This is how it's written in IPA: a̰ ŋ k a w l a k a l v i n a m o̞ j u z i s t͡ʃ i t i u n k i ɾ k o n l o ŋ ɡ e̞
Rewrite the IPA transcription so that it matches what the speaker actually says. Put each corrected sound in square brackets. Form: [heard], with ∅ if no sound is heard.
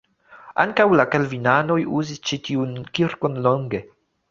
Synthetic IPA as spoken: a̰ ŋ k a w l a k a l v i n a [n] o̞ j u z i s t͡ʃ i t i u n k i ɾ k o n l o ŋ ɡ e̞